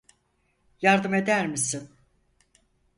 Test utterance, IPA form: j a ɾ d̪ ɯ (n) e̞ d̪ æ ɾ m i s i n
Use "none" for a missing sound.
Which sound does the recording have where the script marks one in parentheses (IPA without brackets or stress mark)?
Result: m